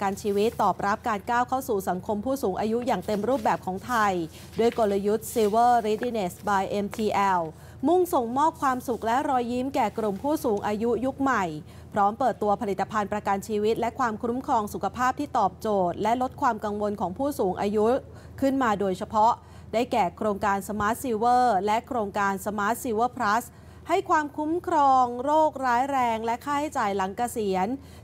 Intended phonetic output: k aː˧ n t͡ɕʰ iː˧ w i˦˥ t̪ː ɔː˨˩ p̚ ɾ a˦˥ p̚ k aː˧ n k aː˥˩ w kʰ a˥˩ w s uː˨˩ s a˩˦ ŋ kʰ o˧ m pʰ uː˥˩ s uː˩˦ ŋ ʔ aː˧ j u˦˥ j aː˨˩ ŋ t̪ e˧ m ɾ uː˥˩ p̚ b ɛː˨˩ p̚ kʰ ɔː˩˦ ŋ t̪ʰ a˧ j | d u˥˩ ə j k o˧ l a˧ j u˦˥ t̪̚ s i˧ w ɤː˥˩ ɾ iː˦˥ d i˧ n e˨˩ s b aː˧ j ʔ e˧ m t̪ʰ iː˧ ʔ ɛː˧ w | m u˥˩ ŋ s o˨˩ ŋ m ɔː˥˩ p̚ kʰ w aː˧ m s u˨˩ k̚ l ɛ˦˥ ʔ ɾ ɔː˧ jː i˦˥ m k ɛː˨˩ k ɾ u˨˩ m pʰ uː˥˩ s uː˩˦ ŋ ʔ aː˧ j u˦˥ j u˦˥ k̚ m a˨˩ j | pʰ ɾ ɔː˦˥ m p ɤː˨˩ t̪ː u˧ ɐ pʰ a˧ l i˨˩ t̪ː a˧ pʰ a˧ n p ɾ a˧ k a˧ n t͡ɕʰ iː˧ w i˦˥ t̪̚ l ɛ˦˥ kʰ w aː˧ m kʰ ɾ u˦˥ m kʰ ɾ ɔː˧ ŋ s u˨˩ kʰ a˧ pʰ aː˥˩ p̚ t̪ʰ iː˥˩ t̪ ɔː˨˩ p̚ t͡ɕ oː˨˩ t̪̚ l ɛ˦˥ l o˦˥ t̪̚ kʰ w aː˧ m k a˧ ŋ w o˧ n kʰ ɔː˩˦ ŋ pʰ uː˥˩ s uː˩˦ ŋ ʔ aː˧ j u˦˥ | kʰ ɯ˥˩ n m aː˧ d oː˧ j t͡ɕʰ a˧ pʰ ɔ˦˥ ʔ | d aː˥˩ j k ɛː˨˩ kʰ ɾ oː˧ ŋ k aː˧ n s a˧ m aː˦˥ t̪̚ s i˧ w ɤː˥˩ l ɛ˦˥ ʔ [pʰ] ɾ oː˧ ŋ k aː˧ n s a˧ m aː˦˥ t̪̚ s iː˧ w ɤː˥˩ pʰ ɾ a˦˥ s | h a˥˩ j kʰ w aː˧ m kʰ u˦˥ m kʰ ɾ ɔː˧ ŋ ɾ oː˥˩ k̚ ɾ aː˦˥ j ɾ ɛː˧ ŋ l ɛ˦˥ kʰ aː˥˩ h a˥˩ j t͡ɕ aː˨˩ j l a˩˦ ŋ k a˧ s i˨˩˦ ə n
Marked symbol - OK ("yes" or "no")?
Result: no